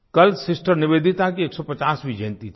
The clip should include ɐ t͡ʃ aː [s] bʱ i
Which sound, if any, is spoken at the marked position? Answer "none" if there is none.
s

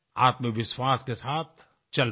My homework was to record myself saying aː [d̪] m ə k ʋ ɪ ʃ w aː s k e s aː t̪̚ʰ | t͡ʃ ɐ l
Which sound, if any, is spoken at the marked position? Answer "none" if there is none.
t̪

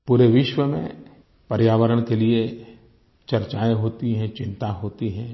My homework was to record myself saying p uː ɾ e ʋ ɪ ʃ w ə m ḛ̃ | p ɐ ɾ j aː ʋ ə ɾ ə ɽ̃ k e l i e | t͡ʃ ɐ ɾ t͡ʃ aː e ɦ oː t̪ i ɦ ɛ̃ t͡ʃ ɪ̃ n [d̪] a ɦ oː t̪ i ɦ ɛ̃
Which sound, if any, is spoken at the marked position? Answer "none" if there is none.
t̪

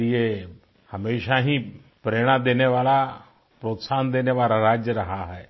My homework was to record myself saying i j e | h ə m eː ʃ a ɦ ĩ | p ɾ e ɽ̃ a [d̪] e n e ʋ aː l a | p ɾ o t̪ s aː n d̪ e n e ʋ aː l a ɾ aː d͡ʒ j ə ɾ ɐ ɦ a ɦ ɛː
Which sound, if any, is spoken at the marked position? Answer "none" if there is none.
d̪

